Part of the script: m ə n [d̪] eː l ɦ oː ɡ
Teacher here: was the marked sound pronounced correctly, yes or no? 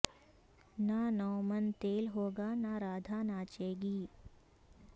no